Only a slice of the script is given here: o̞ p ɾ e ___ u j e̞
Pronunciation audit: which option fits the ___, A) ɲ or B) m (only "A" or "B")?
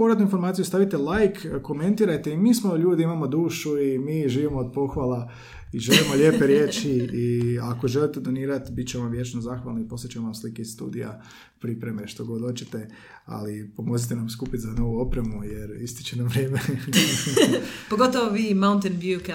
B